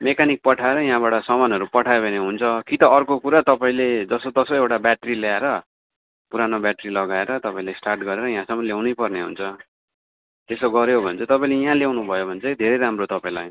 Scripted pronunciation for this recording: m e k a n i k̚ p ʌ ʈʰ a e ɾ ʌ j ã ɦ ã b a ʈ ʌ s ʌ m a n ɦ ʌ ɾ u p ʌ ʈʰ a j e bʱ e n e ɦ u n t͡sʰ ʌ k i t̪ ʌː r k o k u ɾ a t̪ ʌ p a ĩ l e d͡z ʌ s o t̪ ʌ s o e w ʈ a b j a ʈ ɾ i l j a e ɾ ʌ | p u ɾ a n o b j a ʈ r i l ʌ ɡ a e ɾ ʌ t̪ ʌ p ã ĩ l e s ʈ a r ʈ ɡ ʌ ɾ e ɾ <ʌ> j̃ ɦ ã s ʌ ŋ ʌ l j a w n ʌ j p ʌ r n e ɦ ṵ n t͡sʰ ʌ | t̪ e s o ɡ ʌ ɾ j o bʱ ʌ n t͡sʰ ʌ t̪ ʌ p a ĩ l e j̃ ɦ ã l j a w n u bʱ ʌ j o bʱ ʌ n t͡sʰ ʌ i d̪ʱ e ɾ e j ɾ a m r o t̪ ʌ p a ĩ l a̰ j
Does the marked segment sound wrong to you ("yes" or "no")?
no